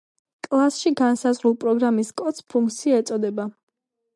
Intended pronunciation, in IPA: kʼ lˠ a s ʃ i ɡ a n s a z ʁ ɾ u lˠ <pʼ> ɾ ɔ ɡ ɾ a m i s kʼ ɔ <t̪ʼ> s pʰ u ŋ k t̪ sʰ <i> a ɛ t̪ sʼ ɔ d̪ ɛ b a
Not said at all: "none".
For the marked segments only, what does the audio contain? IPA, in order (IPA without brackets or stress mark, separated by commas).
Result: pʼ, t̪, i